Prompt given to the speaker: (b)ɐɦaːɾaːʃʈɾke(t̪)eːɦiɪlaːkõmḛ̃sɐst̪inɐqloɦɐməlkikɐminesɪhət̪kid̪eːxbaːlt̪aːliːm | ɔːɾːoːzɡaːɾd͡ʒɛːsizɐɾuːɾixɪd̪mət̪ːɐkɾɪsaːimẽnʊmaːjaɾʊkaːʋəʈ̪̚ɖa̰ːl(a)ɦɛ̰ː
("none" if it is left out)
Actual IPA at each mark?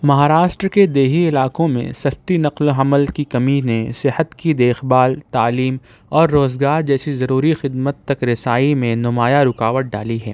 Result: m, d̪, i

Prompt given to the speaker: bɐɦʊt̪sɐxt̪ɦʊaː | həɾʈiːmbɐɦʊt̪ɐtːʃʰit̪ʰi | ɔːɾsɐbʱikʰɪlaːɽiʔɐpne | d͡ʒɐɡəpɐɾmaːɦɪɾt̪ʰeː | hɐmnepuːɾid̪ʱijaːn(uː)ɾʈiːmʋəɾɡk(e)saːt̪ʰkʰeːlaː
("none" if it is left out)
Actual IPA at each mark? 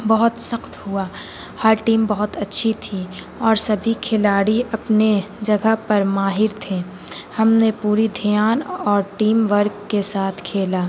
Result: ɔː, e

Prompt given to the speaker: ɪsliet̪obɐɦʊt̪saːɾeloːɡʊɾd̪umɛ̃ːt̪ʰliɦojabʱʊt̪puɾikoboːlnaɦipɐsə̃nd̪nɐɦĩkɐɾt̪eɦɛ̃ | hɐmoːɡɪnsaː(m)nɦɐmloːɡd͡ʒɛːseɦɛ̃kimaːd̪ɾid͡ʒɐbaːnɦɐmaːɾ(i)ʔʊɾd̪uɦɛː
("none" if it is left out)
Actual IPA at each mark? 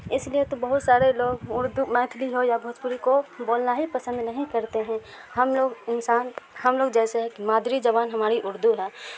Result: none, i

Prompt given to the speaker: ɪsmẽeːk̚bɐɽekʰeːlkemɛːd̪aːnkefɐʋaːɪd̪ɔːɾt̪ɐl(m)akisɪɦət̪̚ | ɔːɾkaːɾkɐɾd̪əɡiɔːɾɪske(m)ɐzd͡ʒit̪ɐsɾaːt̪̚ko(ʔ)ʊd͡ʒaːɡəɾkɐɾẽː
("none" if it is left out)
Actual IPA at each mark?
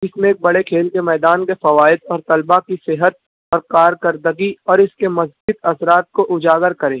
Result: b, m, ʔ

